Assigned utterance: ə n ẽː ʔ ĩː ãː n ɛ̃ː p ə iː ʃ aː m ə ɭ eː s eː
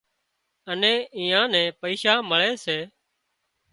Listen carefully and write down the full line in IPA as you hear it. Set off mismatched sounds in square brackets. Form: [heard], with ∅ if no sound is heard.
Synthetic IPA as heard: ə n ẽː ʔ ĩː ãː n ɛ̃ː p ə iː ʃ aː m ə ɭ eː s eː